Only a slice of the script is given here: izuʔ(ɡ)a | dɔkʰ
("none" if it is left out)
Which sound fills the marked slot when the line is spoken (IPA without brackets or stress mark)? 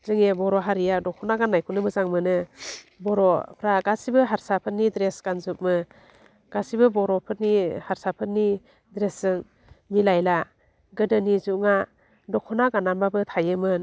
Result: ŋ